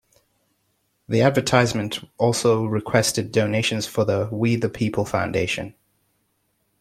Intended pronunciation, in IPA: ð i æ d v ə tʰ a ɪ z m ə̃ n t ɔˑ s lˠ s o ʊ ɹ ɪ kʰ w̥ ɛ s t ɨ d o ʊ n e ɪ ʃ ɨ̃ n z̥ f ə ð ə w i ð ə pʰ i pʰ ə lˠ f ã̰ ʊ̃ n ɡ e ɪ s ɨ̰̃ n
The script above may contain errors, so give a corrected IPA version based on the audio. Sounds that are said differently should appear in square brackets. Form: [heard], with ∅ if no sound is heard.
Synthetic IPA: ð i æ d v ə tʰ a ɪ z m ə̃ n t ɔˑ [∅] lˠ s o ʊ ɹ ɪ kʰ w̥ ɛ s t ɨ d o ʊ n e ɪ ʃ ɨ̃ n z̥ f ə ð ə w i ð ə pʰ i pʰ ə lˠ f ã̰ ʊ̃ n [d] e ɪ [ʃ] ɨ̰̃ n